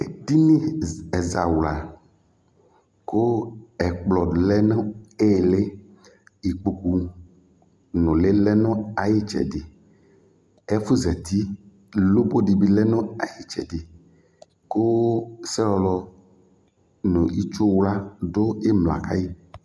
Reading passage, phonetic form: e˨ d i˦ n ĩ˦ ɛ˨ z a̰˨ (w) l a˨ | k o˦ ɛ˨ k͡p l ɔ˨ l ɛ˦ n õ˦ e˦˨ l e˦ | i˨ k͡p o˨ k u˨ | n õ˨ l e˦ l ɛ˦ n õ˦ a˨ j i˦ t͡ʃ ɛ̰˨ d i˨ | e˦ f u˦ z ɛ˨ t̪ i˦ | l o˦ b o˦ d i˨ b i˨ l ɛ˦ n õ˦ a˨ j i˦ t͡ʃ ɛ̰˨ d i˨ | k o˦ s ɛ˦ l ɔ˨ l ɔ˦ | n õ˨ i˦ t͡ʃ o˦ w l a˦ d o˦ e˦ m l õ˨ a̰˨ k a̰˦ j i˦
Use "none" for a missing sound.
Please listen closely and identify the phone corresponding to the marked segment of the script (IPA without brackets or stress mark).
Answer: w